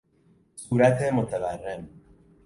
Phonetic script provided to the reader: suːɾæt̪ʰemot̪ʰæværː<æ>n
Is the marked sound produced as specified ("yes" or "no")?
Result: no